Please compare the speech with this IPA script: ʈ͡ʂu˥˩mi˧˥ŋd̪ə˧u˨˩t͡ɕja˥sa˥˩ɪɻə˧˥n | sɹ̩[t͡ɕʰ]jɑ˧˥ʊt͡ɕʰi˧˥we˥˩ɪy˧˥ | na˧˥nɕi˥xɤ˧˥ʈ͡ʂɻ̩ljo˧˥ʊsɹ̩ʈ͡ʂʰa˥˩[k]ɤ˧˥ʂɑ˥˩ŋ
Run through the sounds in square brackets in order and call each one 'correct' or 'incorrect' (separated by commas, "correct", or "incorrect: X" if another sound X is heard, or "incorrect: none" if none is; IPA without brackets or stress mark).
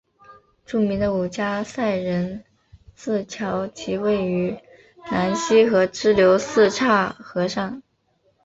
correct, incorrect: x